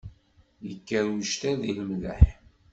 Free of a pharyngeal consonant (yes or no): no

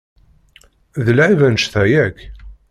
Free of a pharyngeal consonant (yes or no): no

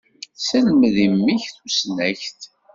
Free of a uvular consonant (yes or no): yes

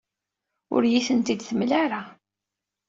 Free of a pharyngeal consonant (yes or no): yes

